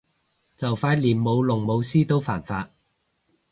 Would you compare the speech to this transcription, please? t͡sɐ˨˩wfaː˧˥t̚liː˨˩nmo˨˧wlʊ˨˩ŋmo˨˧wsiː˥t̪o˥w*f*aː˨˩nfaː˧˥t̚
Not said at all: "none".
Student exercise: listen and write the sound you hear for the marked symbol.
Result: f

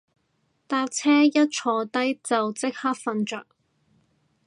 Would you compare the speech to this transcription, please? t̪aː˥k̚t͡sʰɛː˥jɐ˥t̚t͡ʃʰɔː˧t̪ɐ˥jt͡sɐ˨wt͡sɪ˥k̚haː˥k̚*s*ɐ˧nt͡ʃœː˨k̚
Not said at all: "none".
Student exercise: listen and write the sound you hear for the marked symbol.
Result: f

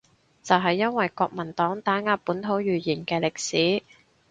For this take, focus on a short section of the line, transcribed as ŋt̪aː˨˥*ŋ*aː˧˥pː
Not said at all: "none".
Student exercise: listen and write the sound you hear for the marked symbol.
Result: ŋ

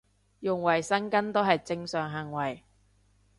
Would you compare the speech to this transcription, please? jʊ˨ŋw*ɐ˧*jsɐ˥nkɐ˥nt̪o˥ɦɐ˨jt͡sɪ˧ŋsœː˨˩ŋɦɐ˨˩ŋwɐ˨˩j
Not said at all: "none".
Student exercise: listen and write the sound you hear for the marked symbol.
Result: ɐ˨˩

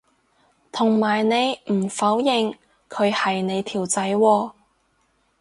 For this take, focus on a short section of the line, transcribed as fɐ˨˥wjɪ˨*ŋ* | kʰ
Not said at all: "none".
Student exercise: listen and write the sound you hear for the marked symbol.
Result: ŋ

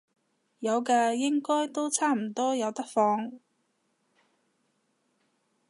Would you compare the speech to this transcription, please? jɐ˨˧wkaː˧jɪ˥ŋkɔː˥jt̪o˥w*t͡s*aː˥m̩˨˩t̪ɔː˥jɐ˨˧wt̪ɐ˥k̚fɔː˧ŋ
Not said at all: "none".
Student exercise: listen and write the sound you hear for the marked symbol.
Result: t͡sʰ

